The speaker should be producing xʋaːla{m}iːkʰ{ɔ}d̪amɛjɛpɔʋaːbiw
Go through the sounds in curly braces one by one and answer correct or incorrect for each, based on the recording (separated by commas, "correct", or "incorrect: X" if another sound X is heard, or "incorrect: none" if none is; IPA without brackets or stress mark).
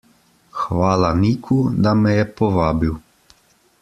incorrect: n, incorrect: u